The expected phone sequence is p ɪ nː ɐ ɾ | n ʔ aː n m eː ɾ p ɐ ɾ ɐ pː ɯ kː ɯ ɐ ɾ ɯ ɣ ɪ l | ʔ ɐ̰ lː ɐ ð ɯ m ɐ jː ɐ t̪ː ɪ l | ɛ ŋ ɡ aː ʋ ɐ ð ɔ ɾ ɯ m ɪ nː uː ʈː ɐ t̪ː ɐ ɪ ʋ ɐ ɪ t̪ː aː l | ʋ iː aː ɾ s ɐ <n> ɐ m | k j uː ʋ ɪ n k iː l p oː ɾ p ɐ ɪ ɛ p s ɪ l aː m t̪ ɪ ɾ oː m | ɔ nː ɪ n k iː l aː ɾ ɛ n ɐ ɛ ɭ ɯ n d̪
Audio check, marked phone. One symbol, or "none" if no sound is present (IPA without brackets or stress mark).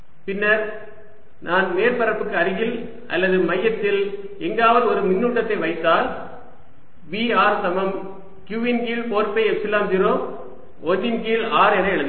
m